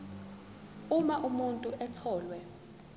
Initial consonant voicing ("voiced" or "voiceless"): voiced